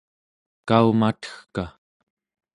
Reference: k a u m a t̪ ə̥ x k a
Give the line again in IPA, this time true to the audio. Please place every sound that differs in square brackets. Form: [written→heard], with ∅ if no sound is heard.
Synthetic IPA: k a u m a t̪ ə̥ x k a